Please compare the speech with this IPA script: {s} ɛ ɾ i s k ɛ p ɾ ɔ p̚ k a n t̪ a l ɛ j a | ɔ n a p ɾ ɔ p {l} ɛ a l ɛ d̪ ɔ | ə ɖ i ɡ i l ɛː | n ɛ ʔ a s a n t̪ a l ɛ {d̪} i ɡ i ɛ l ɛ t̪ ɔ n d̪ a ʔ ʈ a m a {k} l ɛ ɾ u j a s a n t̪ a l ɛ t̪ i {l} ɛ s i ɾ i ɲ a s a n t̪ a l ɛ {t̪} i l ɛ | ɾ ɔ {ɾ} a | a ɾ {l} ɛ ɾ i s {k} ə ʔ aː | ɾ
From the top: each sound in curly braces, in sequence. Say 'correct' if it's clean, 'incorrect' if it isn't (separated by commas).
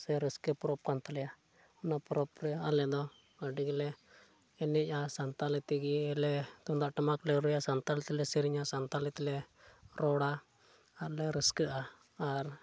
correct, incorrect, incorrect, correct, correct, correct, incorrect, correct, correct